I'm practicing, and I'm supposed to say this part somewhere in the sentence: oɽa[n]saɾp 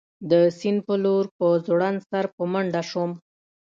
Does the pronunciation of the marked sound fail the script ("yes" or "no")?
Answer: no